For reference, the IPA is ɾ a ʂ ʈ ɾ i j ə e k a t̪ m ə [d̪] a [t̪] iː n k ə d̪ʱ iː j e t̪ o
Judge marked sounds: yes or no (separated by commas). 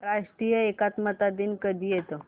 no, no